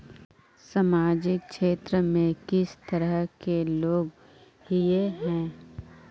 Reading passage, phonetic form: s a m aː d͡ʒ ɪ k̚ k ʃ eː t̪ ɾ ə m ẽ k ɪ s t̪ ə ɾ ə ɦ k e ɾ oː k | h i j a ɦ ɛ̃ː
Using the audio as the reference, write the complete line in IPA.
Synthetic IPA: s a m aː d͡ʒ ɪ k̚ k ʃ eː t̪ ɾ ə m ẽ k ɪ s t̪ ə ɾ ə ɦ k e l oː ɡ | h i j e ɦ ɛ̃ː